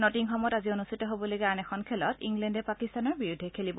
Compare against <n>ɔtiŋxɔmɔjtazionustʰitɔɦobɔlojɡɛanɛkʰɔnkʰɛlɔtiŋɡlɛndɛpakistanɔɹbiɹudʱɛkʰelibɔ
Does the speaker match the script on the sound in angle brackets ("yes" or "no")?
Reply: yes